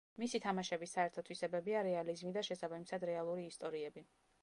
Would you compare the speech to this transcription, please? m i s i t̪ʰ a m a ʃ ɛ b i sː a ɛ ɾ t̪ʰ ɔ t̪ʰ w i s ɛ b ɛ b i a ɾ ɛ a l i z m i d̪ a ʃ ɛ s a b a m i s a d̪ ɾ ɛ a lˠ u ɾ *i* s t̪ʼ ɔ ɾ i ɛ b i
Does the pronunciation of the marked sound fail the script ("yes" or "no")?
yes